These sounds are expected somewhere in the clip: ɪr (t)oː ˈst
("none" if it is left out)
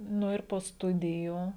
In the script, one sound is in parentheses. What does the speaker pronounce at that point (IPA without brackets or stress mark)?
p